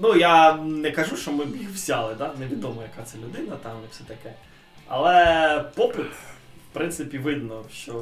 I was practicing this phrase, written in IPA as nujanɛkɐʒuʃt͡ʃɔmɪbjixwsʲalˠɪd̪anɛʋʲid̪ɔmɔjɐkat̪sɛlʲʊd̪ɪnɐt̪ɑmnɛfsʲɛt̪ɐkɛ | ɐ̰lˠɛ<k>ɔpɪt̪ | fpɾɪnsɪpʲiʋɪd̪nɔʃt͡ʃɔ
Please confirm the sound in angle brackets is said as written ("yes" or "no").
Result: no